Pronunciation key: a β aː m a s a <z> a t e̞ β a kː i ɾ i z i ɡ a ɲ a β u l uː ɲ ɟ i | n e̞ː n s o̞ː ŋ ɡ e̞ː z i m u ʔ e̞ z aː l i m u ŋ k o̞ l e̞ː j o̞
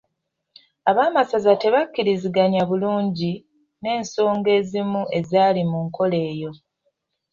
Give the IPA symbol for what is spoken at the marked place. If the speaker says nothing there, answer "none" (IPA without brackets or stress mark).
z